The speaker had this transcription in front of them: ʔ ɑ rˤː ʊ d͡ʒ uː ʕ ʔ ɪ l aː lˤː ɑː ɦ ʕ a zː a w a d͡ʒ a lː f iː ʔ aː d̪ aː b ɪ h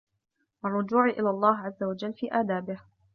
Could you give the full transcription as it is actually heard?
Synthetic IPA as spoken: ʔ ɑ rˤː ʊ d͡ʒ uː ʕ ʔ ɪ l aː lˤː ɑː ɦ ʕ a zː a w a d͡ʒ a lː f iː ʔ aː d̪ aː b ɪ h